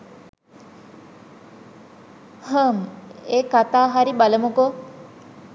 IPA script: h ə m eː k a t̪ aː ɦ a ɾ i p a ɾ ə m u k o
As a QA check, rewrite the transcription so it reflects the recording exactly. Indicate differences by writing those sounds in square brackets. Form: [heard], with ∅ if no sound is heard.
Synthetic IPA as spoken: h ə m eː k a t̪ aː ɦ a ɾ i [b] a [l] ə m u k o